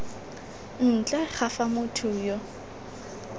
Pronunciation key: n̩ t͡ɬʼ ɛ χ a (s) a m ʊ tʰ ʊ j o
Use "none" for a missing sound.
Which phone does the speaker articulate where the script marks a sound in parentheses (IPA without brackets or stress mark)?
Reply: f